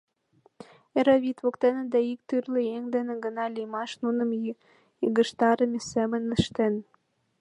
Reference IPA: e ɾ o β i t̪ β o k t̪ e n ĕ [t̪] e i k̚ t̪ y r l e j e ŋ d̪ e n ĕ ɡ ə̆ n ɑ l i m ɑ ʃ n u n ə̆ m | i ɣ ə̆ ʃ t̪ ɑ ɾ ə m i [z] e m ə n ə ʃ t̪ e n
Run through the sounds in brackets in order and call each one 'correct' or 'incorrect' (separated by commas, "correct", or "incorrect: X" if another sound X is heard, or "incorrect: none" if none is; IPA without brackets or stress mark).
incorrect: d̪, incorrect: s